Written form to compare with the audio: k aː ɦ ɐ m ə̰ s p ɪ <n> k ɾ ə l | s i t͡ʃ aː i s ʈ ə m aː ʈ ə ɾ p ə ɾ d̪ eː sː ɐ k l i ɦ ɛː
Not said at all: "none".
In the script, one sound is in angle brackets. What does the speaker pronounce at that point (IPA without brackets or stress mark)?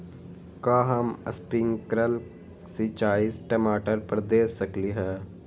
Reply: ŋ